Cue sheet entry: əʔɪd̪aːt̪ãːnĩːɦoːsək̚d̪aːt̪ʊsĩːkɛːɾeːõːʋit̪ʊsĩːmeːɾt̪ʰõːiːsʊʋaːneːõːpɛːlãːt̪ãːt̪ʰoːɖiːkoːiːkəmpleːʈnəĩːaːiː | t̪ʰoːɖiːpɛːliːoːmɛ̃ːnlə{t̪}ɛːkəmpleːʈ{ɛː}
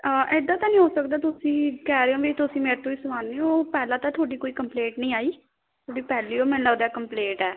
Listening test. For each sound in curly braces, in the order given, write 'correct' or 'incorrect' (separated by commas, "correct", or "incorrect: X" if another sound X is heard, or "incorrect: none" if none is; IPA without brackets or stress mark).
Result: incorrect: d̪, correct